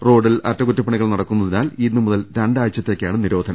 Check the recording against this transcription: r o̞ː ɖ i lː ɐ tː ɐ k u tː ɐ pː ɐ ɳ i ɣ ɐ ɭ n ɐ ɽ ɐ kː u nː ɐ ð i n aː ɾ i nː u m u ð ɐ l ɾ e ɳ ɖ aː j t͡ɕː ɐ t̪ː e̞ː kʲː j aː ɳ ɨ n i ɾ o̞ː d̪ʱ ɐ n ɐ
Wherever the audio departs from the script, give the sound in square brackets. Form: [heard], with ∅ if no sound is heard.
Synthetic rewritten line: r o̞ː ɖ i [l] ɐ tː ɐ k u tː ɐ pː ɐ ɳ i ɣ ɐ ɭ n ɐ ɽ ɐ kː u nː ɐ ð i n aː [l] i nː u m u ð ɐ l ɾ e ɳ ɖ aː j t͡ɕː ɐ t̪ː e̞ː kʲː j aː ɳ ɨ n i ɾ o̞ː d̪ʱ ɐ n ɐ